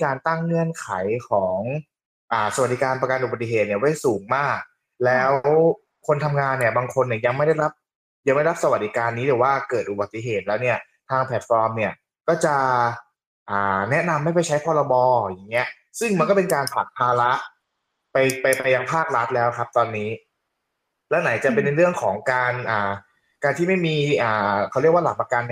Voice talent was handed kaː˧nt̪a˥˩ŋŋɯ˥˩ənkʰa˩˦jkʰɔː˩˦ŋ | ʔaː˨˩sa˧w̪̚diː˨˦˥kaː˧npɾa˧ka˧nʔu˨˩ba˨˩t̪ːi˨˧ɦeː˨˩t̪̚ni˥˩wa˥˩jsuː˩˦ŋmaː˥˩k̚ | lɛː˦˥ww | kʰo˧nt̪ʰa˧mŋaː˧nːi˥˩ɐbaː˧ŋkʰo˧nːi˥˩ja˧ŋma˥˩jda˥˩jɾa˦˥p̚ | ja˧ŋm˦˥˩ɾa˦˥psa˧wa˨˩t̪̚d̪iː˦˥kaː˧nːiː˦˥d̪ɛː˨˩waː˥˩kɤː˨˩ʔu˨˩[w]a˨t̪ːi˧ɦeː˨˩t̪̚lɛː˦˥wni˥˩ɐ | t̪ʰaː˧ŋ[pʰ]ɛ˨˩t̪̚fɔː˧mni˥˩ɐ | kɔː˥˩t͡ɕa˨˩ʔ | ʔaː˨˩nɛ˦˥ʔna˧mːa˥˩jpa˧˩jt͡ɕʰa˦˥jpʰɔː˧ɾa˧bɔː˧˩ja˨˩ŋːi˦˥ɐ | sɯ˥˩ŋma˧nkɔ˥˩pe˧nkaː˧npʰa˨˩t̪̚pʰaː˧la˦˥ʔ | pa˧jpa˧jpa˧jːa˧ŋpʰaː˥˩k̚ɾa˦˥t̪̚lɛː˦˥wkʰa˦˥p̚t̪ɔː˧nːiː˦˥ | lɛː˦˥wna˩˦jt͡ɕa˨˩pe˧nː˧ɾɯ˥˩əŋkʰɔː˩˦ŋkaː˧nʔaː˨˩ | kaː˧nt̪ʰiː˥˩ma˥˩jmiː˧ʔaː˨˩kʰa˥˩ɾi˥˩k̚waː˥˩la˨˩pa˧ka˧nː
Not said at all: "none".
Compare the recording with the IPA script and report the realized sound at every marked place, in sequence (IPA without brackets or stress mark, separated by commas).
b, pʰ